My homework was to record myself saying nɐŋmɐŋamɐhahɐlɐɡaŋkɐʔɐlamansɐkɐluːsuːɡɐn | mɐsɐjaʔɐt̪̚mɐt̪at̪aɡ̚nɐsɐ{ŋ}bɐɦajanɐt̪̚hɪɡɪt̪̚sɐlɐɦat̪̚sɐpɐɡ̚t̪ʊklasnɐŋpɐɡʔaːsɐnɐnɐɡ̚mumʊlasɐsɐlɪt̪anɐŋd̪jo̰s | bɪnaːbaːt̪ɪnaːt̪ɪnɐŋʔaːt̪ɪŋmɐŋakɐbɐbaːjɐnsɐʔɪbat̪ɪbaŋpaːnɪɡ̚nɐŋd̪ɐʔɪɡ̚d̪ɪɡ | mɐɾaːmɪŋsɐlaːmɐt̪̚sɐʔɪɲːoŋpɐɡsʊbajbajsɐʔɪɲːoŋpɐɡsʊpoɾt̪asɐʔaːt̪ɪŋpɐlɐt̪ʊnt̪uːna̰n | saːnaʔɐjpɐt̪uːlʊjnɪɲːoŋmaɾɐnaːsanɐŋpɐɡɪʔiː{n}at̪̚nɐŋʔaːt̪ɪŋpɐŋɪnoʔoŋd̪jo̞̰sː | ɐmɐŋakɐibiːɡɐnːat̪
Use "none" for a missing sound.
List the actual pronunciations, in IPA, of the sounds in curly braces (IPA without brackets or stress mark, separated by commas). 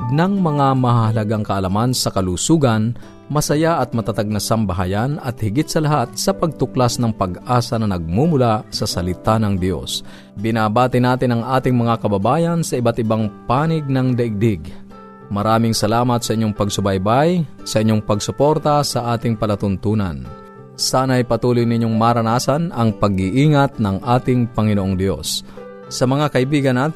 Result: m, ŋ